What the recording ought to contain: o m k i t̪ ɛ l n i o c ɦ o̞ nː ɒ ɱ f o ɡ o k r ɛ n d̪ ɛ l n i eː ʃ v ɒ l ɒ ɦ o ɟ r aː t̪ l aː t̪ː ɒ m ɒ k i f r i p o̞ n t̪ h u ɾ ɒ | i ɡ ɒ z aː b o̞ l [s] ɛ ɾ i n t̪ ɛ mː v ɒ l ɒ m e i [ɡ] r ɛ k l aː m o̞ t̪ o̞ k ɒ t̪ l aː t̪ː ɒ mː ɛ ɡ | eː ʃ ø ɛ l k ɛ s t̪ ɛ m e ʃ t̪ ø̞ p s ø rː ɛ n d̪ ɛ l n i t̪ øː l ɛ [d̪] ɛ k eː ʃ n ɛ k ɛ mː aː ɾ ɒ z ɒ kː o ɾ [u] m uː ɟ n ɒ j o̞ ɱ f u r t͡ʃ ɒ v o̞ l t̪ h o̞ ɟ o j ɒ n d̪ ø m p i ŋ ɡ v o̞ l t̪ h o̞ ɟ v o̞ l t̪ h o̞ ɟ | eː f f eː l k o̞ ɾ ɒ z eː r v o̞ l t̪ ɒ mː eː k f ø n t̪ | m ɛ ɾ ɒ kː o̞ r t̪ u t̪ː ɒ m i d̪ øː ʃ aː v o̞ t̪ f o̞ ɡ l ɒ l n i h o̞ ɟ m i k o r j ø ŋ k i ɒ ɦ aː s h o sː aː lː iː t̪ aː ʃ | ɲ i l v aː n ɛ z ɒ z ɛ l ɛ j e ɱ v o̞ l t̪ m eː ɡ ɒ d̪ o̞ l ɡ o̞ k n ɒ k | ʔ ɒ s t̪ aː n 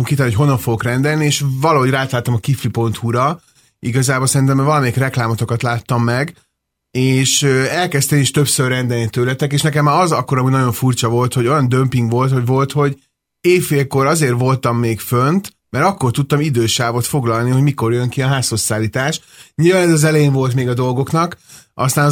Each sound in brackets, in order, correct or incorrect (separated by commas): correct, incorrect, incorrect, incorrect